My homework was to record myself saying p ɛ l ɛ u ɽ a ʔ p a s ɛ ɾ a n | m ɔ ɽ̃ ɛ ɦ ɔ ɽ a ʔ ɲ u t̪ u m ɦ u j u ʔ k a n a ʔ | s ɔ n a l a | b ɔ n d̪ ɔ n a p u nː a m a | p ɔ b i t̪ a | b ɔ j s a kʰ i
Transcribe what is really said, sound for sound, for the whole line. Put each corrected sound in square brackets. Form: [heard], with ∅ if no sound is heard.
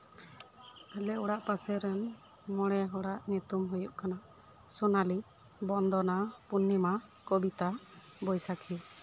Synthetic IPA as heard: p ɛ l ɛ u ɽ a ʔ p a s ɛ ɾ [ɛ] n | m ɔ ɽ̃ ɛ ɦ ɔ ɽ a ʔ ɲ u t̪ u m ɦ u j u ʔ k a n a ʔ | s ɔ n a l [i] | b ɔ n d̪ ɔ n a p u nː [i] m a | [k] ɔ b i t̪ a | b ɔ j s a kʰ i